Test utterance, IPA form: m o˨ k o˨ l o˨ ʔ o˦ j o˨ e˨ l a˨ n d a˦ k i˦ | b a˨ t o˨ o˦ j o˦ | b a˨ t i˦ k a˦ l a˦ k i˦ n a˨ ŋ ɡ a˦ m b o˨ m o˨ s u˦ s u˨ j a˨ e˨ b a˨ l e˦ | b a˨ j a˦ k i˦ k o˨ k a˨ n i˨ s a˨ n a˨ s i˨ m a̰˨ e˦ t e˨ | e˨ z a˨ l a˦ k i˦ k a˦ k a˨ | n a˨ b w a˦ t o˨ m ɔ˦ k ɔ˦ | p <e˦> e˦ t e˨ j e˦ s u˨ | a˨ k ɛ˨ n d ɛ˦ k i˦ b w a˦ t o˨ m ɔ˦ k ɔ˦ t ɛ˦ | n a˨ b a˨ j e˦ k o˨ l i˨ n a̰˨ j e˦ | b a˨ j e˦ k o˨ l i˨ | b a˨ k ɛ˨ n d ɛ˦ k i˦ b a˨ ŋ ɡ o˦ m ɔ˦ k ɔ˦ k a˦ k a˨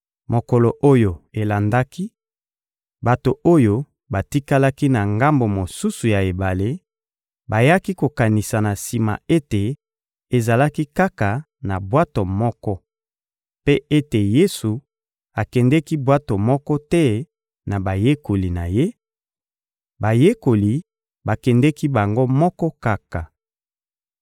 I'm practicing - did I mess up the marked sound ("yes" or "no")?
no